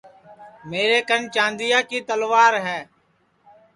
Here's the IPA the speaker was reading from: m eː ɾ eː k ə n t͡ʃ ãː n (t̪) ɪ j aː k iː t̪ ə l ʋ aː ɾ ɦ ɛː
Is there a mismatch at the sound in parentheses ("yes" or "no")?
yes